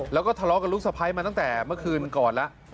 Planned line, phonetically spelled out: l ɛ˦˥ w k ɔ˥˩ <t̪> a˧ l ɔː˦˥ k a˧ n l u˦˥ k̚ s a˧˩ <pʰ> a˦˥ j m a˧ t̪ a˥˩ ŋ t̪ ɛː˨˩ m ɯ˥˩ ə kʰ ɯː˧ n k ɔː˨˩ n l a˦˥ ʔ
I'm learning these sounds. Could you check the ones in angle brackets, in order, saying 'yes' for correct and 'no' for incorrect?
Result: no, yes

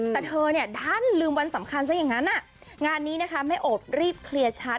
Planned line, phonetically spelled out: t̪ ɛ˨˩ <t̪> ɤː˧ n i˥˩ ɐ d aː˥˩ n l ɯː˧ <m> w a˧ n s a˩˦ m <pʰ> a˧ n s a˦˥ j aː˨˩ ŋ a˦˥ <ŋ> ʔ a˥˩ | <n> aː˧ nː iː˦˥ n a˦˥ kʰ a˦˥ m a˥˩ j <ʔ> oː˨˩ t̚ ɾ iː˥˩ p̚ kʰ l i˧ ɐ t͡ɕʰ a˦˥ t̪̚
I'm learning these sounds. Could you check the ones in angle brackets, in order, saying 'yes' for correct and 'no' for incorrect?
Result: no, yes, no, no, no, yes

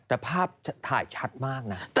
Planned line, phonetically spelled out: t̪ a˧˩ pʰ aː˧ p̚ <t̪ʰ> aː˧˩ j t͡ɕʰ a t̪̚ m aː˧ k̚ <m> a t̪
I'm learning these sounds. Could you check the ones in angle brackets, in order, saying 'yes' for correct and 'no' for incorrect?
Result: yes, no

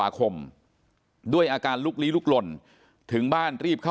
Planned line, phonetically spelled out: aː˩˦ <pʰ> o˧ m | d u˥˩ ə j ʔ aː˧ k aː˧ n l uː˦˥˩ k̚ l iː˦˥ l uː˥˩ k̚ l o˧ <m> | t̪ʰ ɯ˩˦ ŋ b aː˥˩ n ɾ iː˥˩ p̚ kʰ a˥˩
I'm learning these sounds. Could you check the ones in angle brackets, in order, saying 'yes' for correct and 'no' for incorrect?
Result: no, no

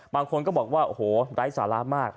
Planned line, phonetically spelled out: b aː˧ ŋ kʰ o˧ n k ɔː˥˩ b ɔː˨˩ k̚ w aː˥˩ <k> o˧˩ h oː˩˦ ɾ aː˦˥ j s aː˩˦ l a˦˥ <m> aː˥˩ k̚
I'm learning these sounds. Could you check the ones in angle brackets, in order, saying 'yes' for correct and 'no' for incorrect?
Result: no, yes

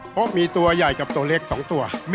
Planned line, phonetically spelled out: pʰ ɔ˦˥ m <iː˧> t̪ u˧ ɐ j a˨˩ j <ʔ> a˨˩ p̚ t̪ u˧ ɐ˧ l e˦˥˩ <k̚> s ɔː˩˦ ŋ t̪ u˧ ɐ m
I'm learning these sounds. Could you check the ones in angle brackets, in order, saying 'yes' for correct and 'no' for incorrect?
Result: yes, no, yes

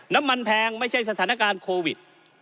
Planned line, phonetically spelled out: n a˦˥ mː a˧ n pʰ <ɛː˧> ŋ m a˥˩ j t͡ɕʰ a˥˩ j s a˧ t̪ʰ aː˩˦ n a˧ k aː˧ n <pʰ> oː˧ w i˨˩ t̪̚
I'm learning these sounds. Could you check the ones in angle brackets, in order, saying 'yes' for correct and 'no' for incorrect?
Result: yes, no

